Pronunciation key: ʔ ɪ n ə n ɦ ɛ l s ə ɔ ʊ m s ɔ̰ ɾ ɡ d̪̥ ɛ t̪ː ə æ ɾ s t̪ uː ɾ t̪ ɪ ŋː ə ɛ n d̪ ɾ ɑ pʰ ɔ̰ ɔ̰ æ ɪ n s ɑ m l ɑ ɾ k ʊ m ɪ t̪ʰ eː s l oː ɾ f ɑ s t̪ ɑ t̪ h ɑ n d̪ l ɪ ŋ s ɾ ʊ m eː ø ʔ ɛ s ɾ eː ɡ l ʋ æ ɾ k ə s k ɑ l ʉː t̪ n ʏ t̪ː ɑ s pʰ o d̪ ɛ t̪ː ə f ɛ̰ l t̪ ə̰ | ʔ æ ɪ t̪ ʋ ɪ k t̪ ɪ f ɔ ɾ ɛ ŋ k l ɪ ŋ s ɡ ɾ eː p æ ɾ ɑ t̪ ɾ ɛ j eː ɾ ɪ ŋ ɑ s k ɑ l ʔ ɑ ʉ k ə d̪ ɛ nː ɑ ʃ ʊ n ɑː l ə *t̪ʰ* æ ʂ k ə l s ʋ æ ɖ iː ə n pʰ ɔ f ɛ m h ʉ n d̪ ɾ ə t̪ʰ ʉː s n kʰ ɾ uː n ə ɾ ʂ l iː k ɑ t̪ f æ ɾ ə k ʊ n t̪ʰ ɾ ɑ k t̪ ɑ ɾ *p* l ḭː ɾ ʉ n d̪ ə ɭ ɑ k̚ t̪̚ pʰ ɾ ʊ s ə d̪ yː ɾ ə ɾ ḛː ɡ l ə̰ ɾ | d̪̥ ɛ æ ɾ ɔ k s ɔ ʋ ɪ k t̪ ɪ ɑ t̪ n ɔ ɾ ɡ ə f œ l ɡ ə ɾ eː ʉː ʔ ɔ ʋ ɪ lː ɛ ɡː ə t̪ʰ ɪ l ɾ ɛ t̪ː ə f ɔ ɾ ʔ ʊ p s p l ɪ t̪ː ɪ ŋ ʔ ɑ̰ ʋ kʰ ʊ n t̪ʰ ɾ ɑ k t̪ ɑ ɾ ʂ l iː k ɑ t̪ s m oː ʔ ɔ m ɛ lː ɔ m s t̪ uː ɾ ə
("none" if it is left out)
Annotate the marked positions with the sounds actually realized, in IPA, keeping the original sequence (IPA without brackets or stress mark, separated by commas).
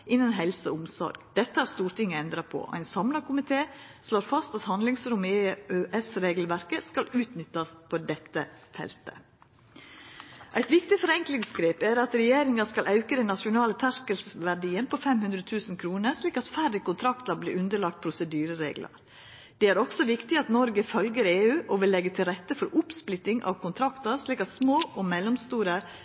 t̪ʰ, b